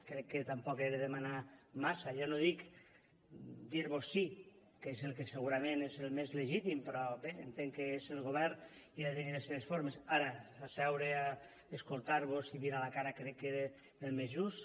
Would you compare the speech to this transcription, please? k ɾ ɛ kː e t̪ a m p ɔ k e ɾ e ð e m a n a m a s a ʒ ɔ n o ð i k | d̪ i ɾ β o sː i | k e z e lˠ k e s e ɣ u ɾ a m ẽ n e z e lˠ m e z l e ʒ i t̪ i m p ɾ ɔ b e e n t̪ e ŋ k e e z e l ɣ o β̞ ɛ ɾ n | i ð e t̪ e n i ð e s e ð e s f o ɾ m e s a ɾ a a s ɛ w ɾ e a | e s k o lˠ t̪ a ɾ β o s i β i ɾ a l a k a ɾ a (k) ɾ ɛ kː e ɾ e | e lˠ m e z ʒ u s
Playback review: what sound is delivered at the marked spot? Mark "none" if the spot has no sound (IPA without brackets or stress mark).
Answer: k